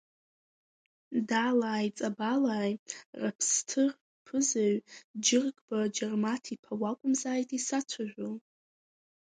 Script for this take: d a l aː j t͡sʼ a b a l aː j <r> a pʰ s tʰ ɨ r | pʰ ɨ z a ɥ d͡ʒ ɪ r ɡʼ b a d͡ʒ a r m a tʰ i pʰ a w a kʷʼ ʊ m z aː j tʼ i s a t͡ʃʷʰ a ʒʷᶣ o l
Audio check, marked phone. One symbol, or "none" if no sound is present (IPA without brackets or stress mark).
r